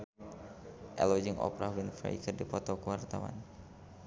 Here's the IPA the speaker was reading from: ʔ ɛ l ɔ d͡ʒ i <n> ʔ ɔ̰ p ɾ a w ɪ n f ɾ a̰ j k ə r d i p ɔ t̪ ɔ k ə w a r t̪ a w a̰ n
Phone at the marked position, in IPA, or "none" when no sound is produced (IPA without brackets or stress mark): ŋ